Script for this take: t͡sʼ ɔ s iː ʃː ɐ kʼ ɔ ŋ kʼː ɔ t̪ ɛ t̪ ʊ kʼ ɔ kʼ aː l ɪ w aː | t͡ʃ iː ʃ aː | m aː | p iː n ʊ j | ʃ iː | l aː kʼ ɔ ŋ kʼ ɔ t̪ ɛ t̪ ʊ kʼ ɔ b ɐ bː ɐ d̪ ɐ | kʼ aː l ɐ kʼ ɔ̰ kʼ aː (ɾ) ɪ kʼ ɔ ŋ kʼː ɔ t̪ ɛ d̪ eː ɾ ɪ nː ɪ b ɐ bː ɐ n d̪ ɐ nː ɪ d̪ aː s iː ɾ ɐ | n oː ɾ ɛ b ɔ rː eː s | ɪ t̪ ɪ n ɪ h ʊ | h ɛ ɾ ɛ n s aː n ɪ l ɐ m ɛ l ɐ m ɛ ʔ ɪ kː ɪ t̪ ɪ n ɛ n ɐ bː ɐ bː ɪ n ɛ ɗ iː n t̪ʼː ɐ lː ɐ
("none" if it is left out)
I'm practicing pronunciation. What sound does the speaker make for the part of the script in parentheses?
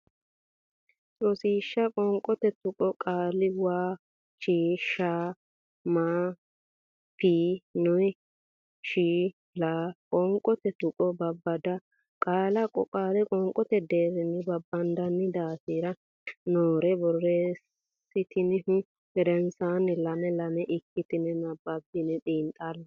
l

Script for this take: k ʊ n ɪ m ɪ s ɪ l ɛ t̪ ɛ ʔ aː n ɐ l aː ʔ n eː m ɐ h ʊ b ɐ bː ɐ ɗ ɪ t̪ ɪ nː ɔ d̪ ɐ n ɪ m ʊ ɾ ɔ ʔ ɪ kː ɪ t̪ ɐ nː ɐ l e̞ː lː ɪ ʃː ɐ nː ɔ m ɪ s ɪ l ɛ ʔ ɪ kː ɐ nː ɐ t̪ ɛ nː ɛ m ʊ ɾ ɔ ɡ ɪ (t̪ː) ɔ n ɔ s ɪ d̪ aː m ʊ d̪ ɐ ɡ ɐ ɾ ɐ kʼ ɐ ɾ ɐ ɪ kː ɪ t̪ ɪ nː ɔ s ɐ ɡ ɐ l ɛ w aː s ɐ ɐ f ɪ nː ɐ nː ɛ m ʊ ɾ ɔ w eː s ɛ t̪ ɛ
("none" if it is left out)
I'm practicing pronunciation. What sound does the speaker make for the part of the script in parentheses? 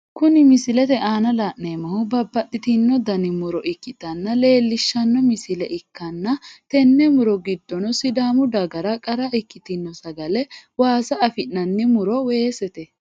d̪ː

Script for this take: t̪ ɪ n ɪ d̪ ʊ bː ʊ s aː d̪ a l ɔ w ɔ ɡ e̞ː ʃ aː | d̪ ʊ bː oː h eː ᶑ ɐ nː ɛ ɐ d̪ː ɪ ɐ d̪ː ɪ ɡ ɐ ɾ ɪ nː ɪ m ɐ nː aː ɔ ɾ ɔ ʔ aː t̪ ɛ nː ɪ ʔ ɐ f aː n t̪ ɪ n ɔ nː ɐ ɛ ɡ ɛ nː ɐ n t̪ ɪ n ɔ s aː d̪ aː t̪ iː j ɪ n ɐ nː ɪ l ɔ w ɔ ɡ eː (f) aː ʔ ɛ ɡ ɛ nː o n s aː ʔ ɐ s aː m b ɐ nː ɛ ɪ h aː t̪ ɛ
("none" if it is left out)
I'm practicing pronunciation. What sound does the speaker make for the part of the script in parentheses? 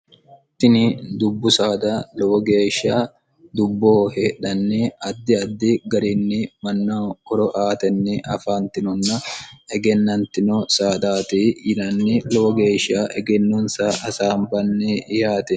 ʃ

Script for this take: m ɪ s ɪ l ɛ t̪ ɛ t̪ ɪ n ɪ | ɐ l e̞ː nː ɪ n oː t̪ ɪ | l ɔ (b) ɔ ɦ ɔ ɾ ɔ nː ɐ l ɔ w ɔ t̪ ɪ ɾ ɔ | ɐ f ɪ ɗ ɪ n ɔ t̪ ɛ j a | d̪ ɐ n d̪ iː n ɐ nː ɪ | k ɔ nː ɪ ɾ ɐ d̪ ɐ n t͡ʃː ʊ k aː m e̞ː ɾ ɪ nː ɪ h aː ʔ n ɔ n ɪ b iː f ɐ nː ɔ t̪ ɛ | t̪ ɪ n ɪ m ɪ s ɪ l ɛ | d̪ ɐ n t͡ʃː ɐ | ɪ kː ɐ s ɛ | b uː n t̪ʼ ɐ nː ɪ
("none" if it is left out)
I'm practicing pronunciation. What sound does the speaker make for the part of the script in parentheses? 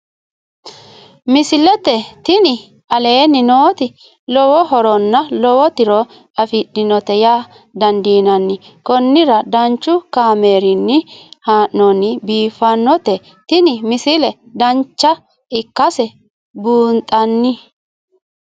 w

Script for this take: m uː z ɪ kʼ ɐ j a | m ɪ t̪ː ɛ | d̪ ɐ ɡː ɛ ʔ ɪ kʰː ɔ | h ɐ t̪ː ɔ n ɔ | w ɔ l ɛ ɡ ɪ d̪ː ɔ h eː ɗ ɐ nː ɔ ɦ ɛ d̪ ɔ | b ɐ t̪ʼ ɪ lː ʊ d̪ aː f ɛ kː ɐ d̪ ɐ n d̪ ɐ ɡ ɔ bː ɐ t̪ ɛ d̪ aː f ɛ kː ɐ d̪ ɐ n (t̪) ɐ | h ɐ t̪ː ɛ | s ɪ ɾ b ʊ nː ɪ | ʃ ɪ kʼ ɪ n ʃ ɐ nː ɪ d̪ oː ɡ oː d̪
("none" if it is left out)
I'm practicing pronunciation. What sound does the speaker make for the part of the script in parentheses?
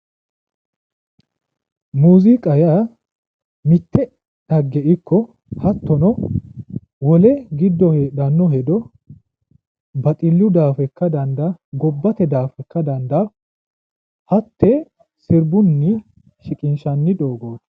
d̪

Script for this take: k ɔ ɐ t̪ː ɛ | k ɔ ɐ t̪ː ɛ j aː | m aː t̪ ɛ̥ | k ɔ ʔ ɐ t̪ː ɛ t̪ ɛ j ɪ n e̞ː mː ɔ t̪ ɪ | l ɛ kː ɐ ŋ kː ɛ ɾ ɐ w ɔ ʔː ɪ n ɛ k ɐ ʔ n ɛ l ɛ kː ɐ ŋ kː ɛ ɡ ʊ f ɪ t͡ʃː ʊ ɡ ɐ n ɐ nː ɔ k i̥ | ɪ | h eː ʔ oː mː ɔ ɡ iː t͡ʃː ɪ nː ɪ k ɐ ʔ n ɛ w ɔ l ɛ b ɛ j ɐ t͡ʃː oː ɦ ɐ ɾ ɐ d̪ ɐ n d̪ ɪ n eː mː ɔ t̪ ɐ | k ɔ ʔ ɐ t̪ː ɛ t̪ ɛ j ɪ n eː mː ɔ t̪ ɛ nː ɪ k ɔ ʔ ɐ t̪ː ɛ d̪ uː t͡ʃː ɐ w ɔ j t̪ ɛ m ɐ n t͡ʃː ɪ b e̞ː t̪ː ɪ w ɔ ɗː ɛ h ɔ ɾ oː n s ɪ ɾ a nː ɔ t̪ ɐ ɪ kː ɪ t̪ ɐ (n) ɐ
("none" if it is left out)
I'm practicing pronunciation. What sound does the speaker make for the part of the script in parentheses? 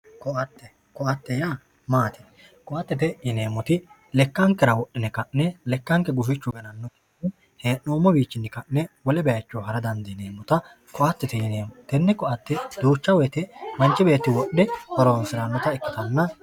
nː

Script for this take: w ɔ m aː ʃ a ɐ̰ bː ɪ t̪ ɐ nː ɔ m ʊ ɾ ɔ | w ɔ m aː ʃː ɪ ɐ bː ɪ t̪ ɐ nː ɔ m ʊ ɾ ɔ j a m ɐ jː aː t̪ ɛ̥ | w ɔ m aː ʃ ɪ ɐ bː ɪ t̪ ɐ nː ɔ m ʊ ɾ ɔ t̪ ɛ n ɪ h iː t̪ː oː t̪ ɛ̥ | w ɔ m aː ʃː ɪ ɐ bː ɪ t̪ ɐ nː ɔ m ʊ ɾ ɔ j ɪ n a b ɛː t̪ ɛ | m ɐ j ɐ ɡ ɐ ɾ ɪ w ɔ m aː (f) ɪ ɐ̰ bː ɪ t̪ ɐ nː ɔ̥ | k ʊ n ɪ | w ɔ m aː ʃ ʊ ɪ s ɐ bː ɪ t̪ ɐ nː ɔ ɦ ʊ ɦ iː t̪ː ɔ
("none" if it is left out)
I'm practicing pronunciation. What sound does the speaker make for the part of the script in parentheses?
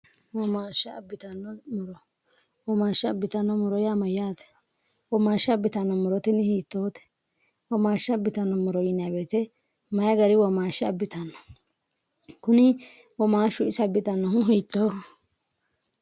ʃ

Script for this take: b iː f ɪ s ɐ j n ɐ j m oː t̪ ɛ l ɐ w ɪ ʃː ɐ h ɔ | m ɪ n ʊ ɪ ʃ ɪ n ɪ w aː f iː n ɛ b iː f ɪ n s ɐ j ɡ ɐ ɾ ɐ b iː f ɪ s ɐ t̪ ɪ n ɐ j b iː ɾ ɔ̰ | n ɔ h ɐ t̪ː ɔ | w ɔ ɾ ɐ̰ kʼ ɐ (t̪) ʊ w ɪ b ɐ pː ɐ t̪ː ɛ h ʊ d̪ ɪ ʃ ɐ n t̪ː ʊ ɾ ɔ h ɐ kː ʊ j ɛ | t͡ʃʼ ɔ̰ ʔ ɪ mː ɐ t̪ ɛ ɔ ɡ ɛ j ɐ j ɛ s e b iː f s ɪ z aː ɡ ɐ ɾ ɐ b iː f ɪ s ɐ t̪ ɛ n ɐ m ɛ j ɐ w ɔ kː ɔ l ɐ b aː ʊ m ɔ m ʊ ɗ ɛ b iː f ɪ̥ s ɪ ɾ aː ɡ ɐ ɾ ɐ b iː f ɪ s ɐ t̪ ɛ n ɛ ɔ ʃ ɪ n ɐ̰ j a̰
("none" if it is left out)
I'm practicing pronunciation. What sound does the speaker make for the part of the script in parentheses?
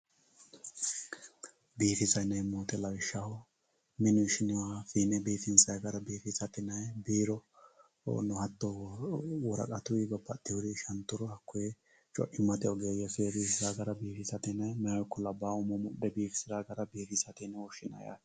t̪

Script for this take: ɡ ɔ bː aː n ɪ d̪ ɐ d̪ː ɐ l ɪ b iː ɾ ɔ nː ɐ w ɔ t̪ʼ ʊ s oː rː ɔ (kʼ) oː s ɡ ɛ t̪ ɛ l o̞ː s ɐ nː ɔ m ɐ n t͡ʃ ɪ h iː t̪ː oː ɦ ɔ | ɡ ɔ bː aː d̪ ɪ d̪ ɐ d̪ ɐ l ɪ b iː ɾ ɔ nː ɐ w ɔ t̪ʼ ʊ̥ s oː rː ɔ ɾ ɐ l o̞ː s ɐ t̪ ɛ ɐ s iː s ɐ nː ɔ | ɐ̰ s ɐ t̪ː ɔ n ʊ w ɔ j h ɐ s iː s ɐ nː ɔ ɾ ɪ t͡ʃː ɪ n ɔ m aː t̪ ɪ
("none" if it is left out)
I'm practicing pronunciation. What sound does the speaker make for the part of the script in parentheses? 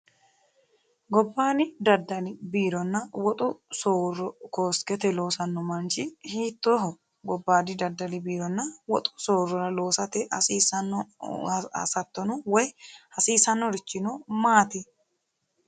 k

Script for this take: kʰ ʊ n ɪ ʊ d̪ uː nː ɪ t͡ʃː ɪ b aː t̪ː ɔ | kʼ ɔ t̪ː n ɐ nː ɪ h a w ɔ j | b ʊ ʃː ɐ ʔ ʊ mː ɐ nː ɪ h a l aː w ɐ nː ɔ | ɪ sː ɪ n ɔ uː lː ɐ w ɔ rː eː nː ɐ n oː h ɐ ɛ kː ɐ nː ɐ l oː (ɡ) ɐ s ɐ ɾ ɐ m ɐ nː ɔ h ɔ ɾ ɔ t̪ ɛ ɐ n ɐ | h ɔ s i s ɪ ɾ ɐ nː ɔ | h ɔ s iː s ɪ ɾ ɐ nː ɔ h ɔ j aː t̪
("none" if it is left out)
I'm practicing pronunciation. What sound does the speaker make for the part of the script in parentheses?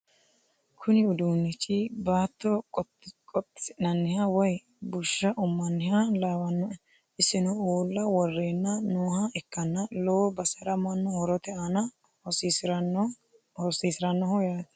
b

